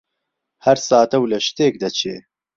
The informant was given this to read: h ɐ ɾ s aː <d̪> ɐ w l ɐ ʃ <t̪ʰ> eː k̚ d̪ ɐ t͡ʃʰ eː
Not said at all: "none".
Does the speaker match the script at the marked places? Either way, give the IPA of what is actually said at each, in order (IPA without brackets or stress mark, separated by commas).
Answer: t̪, t̪